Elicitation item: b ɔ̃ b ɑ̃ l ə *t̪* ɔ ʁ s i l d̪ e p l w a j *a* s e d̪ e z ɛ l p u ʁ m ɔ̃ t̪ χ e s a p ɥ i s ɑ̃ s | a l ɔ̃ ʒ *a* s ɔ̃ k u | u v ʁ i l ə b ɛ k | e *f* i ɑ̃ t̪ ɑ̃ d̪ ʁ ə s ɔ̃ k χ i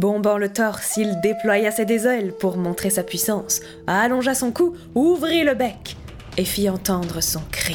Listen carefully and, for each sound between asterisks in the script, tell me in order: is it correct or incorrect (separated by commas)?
correct, correct, correct, correct